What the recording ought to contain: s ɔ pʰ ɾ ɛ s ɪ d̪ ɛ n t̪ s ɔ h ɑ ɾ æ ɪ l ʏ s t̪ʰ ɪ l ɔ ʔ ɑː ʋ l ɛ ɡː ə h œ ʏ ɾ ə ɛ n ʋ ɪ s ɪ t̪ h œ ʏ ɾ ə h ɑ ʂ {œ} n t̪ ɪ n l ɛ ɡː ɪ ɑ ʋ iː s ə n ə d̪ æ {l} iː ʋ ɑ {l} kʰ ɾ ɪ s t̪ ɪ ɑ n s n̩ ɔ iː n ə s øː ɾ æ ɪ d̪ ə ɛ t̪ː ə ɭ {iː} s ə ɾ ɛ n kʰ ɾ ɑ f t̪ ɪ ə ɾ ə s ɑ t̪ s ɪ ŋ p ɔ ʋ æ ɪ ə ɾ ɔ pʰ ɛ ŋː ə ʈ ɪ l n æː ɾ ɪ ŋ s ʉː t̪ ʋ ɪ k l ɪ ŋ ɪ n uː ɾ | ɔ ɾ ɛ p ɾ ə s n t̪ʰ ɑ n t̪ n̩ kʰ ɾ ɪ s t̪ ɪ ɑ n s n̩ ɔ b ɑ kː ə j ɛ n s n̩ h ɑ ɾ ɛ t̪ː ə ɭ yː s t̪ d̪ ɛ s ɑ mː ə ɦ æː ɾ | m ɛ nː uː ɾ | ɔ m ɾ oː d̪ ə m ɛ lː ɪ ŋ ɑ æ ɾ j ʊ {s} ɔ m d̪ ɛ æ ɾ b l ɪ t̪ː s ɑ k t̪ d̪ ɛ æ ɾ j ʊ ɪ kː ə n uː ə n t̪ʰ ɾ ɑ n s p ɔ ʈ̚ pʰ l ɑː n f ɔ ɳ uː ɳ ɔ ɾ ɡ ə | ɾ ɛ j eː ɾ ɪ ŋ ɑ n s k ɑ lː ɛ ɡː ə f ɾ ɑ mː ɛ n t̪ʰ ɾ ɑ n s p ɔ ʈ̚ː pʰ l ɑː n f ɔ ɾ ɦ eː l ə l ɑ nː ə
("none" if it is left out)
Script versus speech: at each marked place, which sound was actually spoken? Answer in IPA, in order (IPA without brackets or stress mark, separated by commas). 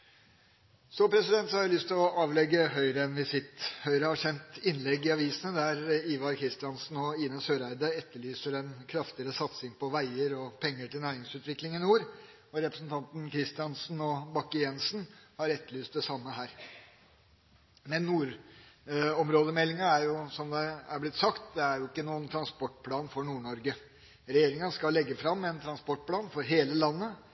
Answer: ɛ, ɾ, ɾ, yː, s